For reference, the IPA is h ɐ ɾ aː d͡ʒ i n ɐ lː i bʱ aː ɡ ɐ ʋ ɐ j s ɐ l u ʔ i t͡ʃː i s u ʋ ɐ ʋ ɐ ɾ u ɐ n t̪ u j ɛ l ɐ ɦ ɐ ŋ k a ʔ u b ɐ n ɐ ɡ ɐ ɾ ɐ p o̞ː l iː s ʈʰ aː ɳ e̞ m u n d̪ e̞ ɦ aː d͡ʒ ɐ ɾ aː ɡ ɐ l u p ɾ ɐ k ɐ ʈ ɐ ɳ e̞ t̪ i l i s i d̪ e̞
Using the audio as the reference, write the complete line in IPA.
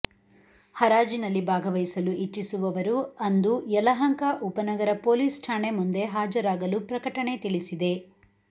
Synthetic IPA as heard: h ɐ ɾ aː d͡ʒ i n ɐ lː i bʱ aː ɡ ɐ ʋ ɐ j s ɐ l u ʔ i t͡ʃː i s u ʋ ɐ ʋ ɐ ɾ u ɐ n d̪ u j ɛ l ɐ ɦ ɐ ŋ k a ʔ u p ɐ n ɐ ɡ ɐ ɾ ɐ p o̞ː l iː s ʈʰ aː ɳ e̞ m u n d̪ e̞ ɦ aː d͡ʒ ɐ ɾ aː ɡ ɐ l u p ɾ ɐ k ɐ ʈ ɐ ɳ e̞ t̪ i ɭ i s i d̪ e̞

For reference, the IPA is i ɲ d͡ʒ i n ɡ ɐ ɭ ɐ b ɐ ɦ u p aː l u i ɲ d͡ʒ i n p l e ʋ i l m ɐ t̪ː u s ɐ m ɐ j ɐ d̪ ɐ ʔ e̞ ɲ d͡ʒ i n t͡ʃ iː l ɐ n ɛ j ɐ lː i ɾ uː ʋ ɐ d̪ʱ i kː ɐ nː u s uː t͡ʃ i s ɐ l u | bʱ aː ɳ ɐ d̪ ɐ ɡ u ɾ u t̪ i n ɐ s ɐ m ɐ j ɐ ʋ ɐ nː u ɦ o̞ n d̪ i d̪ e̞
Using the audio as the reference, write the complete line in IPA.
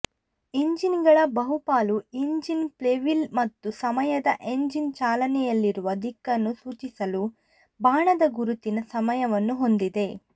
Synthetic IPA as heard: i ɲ d͡ʒ i n ɡ ɐ ɭ ɐ b ɐ ɦ u p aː l u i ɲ d͡ʒ i n p l e ʋ i l m ɐ t̪ː u s ɐ m ɐ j ɐ d̪ ɐ ʔ e̞ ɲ d͡ʒ i n t͡ʃ aː l ɐ n ɛ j ɐ lː i ɾ u ʋ ɐ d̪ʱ i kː ɐ nː u s uː t͡ʃ i s ɐ l u | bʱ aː ɳ ɐ d̪ ɐ ɡ u ɾ u t̪ i n ɐ s ɐ m ɐ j ɐ ʋ ɐ nː u ɦ o̞ n d̪ i d̪ e̞

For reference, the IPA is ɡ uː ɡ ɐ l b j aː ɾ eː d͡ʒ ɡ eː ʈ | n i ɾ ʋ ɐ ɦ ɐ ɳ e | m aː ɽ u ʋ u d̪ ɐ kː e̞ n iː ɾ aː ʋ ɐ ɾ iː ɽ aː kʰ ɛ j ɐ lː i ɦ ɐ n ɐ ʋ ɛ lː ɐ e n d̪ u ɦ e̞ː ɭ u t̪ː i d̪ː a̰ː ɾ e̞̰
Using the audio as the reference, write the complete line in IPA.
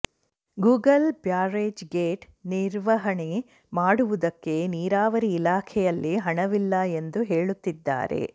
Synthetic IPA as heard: ɡ uː ɡ ɐ l b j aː ɾ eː d͡ʒ ɡ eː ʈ | n i ɾ ʋ ɐ ɦ ɐ ɳ e | m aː ɽ u ʋ u d̪ ɐ kː e̞ n iː ɾ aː ʋ ɐ ɾ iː l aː kʰ ɛ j ɐ lː i ɦ ɐ ɳ ɐ ʋ i lː ɐ e n d̪ u ɦ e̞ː ɭ u t̪ː i d̪ː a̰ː ɾ e̞̰

